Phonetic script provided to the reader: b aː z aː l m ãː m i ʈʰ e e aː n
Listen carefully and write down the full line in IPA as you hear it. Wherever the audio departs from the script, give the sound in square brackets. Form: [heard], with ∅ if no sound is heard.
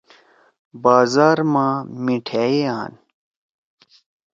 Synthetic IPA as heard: b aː z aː [ɾ] m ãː m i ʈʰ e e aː n